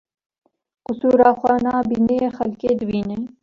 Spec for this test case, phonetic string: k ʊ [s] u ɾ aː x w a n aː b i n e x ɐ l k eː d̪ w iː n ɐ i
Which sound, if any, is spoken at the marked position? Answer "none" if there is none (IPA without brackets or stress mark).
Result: s